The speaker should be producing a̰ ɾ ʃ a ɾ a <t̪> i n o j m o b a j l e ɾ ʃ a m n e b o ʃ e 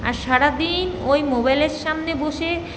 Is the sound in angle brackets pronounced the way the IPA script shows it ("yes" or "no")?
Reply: no